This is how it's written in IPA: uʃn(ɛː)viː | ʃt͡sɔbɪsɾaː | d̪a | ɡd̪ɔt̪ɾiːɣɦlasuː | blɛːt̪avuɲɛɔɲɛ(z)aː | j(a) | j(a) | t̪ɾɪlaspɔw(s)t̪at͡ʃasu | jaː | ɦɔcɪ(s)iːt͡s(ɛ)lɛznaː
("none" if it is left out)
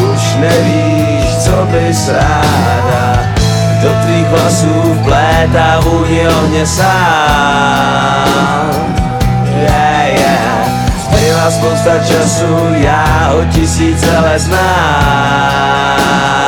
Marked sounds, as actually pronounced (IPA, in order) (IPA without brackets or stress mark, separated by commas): ɛ, s, ɛ, ɛ, s, s, ɛ